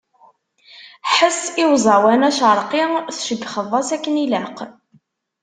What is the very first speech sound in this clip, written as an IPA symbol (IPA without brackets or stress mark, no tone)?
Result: ħ